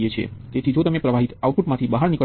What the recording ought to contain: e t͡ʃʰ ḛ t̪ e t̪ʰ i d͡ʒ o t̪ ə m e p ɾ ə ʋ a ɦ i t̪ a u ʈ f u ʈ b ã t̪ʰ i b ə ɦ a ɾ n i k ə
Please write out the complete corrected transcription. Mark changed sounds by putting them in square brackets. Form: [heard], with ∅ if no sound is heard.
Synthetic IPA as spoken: e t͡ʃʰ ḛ t̪ e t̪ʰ i d͡ʒ o t̪ ə m e p ɾ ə ʋ a ɦ i t̪ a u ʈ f u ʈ [m] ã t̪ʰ i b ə ɦ a ɾ n i k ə